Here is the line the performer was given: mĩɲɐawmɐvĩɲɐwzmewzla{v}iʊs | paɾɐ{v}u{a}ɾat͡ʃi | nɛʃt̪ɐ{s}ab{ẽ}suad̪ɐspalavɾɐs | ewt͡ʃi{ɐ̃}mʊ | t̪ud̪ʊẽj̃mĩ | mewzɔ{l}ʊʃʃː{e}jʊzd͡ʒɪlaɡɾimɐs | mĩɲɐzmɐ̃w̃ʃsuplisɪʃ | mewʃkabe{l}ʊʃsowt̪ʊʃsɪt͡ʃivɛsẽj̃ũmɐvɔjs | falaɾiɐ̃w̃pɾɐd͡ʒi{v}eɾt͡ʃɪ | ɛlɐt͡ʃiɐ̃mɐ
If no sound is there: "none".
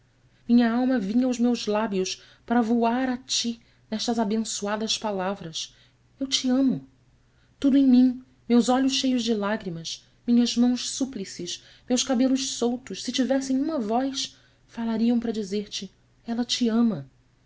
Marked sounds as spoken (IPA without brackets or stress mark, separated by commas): b, v, a, z, ẽ, ɐ̃, ʎ, e, l, z